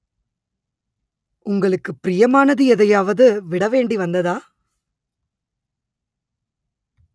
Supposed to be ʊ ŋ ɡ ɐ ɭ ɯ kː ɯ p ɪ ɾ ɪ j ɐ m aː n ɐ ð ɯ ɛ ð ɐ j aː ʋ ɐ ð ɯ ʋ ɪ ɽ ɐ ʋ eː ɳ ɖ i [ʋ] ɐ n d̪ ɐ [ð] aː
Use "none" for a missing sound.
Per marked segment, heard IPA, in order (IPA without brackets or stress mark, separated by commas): ʋ, ð